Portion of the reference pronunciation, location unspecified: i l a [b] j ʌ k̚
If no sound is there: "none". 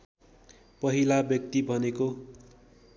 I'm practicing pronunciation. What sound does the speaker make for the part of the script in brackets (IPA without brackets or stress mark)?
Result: b